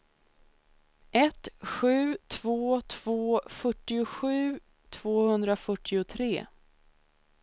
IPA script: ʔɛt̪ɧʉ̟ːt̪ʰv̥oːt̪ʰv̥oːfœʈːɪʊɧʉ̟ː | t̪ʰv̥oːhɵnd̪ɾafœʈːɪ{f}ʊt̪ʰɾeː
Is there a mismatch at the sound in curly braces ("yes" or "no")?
yes